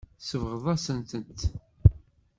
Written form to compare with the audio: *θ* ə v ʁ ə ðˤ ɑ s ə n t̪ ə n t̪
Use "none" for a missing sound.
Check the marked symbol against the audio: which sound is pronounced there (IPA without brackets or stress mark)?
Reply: s